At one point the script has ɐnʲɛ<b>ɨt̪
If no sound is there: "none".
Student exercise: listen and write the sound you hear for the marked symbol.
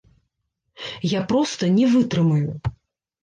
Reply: v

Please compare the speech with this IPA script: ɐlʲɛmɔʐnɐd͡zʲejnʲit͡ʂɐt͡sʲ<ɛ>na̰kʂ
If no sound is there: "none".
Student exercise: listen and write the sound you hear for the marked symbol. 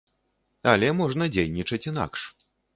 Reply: i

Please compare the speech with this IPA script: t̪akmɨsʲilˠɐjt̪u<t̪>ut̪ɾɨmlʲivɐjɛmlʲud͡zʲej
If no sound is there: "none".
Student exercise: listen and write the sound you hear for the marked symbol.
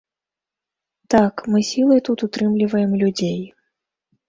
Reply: t̪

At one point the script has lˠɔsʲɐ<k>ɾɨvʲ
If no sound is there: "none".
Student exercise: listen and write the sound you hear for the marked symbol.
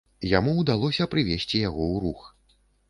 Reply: p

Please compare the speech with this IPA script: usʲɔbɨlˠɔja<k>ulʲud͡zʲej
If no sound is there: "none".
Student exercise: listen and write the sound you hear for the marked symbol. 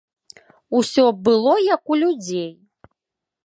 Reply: k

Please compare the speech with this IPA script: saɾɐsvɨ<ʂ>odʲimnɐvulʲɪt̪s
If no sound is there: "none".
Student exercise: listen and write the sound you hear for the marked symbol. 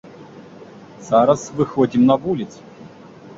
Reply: x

